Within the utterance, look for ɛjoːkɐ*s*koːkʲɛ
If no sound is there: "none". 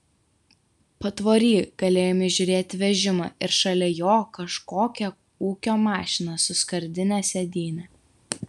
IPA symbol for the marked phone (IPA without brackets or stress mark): ʃ